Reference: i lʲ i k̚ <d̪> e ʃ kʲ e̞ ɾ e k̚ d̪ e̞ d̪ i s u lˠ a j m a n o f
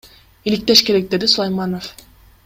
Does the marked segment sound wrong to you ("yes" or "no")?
yes